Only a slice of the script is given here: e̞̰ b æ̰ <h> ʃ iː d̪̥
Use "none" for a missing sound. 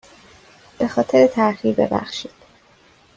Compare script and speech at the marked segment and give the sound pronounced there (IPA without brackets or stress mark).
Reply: x